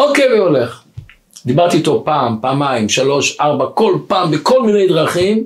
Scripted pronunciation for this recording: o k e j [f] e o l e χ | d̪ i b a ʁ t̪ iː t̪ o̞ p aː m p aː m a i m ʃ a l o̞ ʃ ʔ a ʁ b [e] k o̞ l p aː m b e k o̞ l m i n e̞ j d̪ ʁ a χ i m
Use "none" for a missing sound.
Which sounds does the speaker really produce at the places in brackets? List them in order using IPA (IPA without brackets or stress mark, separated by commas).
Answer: v, a